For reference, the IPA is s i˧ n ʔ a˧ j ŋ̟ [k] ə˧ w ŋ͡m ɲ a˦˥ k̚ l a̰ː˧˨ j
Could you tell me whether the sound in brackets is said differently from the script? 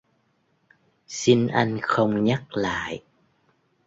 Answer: yes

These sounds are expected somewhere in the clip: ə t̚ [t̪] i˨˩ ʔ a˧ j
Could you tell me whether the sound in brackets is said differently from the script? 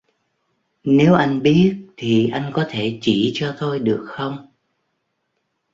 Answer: yes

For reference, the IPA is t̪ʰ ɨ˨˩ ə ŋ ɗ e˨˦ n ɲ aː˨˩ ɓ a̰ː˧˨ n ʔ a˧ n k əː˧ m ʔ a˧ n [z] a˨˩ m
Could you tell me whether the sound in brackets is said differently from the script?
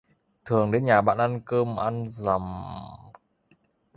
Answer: no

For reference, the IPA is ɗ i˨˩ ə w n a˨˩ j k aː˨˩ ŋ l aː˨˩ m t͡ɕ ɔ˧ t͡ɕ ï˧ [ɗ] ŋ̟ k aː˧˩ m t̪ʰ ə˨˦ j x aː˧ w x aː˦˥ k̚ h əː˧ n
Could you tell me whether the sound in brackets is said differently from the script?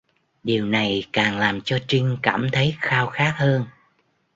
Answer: yes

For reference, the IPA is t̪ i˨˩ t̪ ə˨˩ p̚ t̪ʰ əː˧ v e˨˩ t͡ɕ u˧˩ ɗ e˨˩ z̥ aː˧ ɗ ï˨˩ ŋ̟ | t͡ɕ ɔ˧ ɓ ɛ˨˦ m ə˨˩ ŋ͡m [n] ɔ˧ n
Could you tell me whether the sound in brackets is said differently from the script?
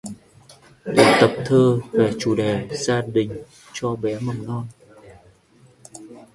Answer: no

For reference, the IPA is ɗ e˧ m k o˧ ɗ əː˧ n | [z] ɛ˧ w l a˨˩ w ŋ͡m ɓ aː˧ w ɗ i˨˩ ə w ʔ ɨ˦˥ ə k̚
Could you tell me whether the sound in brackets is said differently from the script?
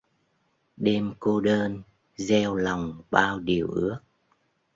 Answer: no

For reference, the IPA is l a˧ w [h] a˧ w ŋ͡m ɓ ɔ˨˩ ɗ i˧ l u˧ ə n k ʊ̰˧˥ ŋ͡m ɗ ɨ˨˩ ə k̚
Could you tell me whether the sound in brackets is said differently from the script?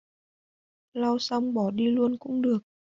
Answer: yes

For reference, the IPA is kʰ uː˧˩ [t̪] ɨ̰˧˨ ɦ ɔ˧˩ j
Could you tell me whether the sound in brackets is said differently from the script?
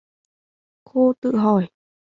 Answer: no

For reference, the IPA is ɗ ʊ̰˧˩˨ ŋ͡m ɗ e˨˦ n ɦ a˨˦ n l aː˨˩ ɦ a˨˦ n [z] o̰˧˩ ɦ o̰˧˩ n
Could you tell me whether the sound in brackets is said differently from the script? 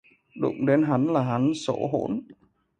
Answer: yes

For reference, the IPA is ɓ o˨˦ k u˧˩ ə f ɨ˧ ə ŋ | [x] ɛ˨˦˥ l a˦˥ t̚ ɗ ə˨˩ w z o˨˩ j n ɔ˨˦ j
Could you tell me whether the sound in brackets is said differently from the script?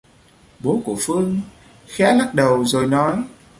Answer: no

